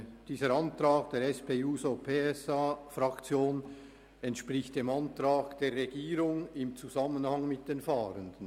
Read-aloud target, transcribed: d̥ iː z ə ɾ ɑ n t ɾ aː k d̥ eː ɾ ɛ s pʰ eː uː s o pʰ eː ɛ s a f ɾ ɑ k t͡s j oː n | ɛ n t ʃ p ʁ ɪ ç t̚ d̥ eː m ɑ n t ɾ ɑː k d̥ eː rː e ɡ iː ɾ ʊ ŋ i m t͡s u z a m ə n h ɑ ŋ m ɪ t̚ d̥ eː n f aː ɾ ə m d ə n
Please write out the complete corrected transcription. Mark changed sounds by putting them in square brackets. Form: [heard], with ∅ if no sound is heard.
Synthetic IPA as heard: d̥ iː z ə ɾ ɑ n t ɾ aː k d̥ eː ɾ ɛ s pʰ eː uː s o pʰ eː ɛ s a f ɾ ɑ k t͡s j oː n | ɛ n t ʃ p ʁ ɪ ç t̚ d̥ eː m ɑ n t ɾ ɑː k d̥ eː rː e ɡ iː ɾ ʊ ŋ [ɪ] m t͡s u z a m ə n h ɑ ŋ m ɪ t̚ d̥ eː n f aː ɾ ə [n] d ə n